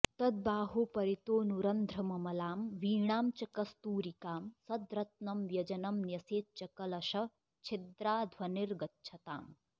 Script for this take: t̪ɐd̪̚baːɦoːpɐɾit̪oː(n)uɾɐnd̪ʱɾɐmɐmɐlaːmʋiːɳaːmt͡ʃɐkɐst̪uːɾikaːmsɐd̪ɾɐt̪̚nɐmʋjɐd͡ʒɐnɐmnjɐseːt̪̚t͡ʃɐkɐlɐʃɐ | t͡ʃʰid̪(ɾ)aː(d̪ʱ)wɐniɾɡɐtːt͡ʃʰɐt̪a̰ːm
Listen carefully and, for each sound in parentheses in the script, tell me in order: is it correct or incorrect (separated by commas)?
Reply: correct, correct, correct